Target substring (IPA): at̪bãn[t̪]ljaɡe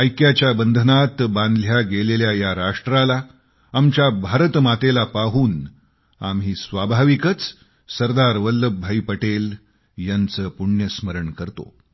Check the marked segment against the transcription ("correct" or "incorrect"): incorrect